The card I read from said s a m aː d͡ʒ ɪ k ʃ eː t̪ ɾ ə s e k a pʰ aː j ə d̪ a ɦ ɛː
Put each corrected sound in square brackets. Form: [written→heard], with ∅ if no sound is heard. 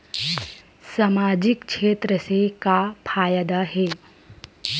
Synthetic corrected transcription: s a m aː d͡ʒ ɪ k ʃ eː t̪ ɾ ə s e k a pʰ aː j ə d̪ a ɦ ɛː